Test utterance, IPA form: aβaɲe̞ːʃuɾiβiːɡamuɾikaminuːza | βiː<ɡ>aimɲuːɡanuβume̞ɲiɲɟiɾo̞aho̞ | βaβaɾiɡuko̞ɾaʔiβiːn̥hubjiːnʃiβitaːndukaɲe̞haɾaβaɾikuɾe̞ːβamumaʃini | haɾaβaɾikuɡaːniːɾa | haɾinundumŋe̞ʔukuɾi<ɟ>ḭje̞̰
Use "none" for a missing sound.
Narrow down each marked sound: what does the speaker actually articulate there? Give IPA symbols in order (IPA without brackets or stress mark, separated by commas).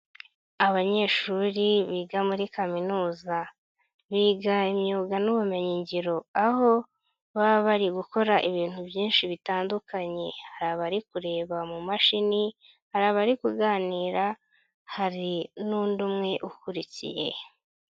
ɡ, c